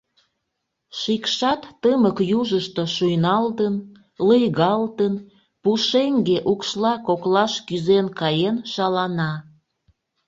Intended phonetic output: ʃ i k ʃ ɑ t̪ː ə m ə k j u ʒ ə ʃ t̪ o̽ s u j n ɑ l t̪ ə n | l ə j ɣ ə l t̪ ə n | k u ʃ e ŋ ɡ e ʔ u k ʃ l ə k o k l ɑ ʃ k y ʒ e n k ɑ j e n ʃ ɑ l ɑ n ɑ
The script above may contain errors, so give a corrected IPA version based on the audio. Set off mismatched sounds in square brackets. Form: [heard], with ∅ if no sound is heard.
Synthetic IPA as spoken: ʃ i k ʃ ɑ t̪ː ə m ə k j u ʒ ə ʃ t̪ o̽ [ʃ] u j n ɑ l t̪ ə n | l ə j ɣ [ɑ] l t̪ ə n | [p] u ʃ e ŋ ɡ e ʔ u k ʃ l [ɑ] k o k l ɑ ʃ k y [z] e n k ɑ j e n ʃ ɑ l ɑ n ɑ